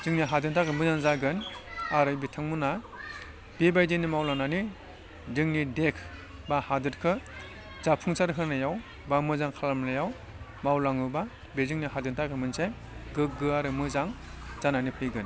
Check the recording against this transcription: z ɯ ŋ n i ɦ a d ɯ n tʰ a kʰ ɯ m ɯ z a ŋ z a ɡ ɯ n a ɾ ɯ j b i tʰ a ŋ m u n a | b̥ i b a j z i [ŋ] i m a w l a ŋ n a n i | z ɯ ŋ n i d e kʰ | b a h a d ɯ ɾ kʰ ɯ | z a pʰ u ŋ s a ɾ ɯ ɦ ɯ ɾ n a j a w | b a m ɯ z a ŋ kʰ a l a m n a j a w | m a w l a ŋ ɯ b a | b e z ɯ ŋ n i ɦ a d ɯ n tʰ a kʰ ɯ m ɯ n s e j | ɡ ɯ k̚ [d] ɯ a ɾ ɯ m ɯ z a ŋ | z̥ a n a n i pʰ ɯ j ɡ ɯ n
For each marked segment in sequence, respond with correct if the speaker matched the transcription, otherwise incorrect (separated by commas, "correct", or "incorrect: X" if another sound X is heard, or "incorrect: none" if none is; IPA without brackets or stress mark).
incorrect: n, incorrect: ɡ